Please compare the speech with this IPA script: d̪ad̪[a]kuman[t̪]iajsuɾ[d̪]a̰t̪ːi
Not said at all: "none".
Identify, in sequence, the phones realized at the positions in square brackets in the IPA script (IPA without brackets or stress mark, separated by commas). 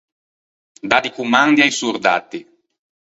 i, d̪, d̪